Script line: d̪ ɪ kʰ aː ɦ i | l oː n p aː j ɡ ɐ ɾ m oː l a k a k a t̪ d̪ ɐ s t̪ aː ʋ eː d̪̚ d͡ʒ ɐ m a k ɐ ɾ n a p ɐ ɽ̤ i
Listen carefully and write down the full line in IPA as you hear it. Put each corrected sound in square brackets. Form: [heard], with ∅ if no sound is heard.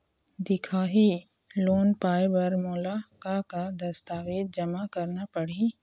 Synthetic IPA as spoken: d̪ ɪ kʰ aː ɦ i | l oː n p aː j [b] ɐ ɾ m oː l a k a k a [∅] d̪ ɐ s t̪ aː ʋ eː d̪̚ d͡ʒ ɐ m a k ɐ ɾ n a p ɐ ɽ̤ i